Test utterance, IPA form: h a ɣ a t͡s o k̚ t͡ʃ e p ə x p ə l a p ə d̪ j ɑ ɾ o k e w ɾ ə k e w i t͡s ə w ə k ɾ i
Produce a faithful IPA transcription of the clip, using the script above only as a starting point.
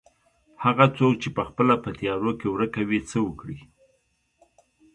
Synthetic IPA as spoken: h a ɣ a t͡s o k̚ t͡ʃ e p ə x p ə l a p ə t̪ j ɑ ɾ o k e w ɾ ə k a w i t͡s ə w ə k ɽ i

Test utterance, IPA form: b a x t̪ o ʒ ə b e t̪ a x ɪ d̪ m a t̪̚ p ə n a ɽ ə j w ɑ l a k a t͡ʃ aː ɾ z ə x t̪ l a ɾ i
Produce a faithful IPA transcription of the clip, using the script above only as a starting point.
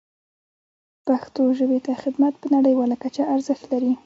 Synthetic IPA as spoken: p a x t̪ o ʒ ə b e t̪ a x ɪ d̪ m a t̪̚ p ə n a ɽ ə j w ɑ l a k a t͡ʃ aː ɾ z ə x t̪ l a ɾ i

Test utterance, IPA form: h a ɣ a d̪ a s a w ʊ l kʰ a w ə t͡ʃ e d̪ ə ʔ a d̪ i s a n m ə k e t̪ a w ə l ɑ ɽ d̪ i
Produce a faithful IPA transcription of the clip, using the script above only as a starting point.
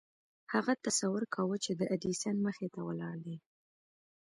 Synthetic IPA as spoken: h a ɣ a t̪ a s a w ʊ ɾ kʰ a w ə t͡ʃ e d̪ ə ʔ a d̪ i s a n m ə x e t̪ a w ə l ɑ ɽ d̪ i

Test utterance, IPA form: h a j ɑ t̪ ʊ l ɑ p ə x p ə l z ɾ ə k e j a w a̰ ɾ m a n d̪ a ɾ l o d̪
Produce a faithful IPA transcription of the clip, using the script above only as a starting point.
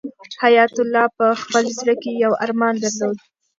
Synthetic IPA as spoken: h a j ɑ t̪ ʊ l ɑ p ə x p ə l z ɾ ə k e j a w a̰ ɾ m ɑ n d̪ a ɾ l o d̪

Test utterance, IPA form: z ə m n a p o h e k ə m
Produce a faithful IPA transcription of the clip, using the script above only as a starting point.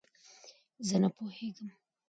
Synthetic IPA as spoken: z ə n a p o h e ɡ ə m

